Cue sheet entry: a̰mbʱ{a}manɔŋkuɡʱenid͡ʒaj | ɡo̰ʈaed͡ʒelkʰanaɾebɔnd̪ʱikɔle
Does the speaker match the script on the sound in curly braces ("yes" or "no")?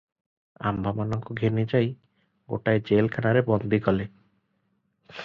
yes